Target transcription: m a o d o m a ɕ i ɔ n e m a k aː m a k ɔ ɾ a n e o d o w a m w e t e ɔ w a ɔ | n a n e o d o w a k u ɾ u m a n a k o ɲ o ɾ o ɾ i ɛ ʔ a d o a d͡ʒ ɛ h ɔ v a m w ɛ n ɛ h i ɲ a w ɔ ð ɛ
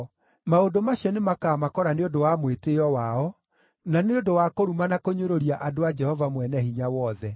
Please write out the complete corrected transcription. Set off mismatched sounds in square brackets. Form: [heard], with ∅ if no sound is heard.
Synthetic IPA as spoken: m a o d o m a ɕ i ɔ n e m a k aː m a k ɔ ɾ a n e o d o w a m w e t e ɔ w a ɔ | n a n e o d o w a k [o] ɾ u m a n a k o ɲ o ɾ o ɾ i [a] ʔ a d o a d͡ʒ ɛ h ɔ v a m w ɛ n ɛ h i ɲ a w ɔ ð ɛ